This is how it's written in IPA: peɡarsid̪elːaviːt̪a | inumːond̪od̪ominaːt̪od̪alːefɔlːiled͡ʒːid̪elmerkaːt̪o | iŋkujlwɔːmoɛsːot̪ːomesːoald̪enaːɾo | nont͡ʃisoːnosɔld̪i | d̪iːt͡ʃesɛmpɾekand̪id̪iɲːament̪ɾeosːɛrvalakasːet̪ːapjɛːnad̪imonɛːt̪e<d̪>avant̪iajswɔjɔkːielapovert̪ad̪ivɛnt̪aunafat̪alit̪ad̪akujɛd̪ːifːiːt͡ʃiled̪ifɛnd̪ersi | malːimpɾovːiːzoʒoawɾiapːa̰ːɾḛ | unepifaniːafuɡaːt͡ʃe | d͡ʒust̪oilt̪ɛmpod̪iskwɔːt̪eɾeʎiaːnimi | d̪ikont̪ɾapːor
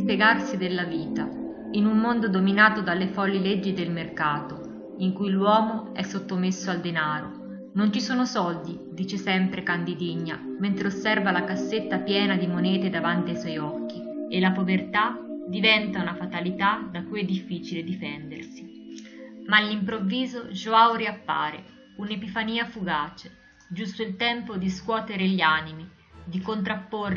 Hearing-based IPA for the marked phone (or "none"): d̪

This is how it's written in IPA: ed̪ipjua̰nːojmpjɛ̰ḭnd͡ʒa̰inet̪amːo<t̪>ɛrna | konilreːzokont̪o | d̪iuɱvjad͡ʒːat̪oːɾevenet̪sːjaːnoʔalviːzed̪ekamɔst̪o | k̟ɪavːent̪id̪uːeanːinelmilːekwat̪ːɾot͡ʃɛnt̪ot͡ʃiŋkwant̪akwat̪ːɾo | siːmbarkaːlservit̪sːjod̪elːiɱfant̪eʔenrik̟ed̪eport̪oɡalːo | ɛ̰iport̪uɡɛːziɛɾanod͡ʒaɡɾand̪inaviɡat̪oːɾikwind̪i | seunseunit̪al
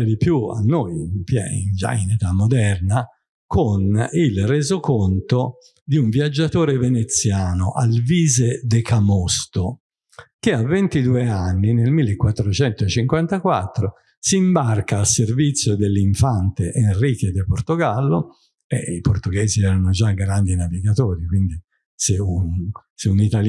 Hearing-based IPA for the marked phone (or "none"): d̪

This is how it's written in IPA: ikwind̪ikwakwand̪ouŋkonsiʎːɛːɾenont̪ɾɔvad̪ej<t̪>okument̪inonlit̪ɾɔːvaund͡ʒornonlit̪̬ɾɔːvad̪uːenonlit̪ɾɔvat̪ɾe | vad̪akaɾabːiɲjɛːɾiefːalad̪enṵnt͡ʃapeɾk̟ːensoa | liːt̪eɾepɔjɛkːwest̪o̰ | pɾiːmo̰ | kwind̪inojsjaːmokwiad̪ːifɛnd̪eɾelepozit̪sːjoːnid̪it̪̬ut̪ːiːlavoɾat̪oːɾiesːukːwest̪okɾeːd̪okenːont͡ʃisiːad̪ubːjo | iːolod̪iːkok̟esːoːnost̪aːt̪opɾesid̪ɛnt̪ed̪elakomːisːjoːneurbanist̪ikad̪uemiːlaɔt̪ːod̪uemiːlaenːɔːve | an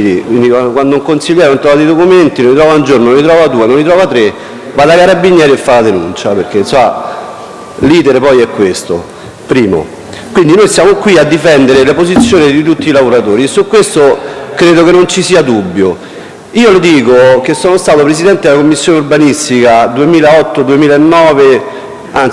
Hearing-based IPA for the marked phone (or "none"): d̪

